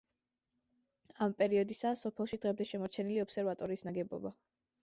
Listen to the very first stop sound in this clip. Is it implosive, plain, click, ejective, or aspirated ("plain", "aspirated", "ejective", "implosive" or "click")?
ejective